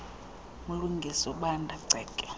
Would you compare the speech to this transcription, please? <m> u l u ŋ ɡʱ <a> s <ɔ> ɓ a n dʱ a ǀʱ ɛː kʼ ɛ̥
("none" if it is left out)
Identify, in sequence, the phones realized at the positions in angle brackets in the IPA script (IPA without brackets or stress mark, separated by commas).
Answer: m, i, ɔ